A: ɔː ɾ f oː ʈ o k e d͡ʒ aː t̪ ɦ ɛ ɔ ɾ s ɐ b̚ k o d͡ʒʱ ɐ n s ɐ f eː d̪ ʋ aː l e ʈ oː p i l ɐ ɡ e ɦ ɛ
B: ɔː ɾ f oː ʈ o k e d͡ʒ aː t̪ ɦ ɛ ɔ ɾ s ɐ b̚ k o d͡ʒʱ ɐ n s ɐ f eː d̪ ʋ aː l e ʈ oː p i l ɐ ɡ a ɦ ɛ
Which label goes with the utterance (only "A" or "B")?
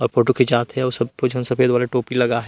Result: B